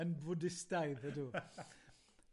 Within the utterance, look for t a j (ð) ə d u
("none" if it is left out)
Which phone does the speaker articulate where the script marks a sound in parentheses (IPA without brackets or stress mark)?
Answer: ð